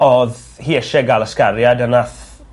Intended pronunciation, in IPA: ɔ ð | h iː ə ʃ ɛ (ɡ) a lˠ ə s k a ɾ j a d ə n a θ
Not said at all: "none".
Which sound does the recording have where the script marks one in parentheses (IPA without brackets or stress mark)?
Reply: ɡ